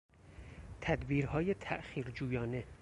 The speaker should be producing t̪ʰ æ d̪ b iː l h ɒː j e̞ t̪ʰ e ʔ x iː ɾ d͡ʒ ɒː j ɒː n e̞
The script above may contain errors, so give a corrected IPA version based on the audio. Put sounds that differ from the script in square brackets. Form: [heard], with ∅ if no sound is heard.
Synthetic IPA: t̪ʰ æ d̪ b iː [ɾ] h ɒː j e̞ t̪ʰ [æ] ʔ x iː ɾ d͡ʒ [uː] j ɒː n e̞